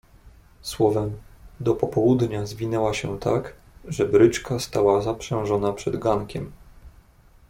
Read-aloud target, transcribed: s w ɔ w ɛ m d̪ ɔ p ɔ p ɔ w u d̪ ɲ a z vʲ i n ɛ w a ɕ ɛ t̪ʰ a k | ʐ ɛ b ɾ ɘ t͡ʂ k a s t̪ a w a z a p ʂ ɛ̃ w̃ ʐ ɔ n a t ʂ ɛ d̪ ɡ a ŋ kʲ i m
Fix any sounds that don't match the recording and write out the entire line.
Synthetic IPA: s w ɔ v ɛ m d̪ ɔ p ɔ p ɔ w u d̪ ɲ a z vʲ i n ɛ w a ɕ ɛ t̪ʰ a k | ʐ ɛ b ɾ ɘ t͡ʂ k a s t̪ a w a z a p ʂ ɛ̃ w̃ ʐ ɔ n a p ʂ ɛ d̪ ɡ a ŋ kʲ ɛ m